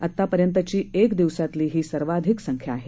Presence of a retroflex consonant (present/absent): absent